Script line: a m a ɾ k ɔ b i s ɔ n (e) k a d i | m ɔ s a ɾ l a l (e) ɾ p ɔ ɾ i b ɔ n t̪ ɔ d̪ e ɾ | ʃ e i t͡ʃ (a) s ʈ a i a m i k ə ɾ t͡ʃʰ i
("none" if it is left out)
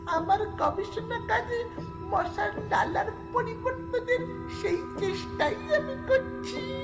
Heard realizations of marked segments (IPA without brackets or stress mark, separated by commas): a, a, e